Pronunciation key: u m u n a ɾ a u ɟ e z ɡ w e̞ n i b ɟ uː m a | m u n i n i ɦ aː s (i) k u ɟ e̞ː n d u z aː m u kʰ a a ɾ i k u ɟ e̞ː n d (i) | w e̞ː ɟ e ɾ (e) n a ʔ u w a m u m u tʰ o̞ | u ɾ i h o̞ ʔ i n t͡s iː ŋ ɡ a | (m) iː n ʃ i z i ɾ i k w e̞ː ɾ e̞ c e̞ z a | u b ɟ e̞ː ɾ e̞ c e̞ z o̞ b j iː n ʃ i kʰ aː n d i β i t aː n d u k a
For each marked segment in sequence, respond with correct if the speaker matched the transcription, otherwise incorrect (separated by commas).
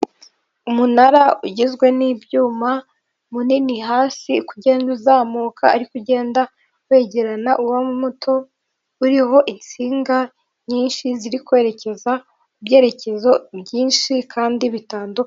correct, incorrect, incorrect, incorrect